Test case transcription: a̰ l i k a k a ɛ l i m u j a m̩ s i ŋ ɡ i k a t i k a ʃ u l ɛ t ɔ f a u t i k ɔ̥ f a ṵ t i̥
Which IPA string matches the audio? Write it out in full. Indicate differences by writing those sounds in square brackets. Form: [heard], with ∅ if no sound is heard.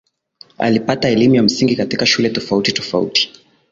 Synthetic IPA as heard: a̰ l i [p] a [t] a ɛ l i m u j a m̩ s i ŋ ɡ i k a t i k a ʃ u l ɛ t ɔ f a u t i [t] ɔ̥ f a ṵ t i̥